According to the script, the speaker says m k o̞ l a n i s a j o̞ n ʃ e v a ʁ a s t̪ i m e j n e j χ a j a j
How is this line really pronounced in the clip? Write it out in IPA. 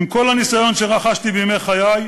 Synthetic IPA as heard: m k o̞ l a n i s a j o̞ n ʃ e ʁ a χ a ʃ t̪ i b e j m e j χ a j a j